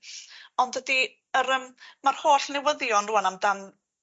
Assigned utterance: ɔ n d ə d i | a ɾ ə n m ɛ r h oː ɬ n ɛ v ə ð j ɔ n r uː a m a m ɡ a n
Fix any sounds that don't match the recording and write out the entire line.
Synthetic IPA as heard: ɔ n d ə d i | ə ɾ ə m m a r h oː ɬ n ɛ w ə ð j ɔ n r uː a n a m d a n